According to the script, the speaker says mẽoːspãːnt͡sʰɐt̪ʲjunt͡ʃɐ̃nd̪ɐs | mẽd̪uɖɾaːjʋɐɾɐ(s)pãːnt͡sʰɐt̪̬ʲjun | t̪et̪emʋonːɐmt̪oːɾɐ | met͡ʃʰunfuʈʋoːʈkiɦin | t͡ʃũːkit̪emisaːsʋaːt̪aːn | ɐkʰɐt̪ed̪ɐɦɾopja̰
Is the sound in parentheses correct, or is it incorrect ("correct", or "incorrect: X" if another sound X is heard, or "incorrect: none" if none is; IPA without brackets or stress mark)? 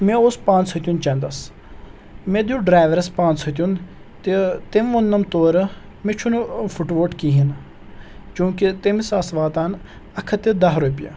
correct